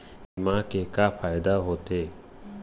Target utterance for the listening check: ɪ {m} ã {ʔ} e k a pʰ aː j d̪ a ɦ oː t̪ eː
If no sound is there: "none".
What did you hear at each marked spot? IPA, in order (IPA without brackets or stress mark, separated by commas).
m, k